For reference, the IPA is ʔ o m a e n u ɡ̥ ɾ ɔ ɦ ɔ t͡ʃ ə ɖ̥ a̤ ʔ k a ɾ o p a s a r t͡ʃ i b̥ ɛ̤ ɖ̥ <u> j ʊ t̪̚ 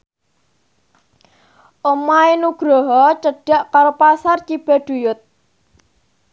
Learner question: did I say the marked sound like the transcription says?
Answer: yes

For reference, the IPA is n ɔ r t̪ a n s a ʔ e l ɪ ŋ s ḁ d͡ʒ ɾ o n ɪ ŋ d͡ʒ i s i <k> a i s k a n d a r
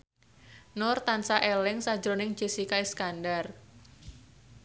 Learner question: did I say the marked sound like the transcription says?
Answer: yes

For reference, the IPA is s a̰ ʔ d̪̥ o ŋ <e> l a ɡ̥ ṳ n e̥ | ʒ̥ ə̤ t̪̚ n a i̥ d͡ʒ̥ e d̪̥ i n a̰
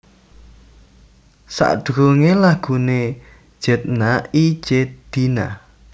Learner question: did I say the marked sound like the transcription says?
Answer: yes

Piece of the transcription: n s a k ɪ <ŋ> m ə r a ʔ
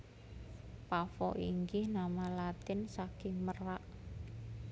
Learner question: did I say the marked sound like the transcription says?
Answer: yes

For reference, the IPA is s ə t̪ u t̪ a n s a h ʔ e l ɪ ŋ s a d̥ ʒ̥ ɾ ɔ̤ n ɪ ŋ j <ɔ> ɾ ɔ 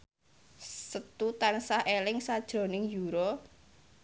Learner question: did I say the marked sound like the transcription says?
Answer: no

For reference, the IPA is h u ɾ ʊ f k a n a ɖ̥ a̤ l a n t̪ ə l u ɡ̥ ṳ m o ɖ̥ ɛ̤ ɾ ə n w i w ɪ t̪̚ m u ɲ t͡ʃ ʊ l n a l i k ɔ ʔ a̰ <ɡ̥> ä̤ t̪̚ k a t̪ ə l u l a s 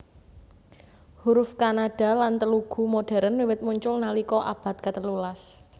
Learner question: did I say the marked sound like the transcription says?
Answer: no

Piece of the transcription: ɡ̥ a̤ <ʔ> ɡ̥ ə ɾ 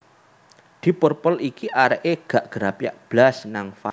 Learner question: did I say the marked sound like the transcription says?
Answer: yes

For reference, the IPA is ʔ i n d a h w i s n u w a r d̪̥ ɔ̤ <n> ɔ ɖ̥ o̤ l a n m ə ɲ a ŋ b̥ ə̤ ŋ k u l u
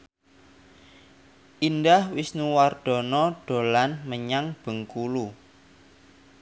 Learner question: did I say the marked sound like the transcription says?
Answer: yes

